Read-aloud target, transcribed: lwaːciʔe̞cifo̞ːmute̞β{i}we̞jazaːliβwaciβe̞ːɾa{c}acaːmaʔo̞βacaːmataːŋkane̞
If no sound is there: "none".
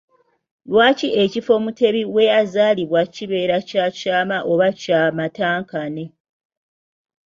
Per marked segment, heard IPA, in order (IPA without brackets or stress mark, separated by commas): i, c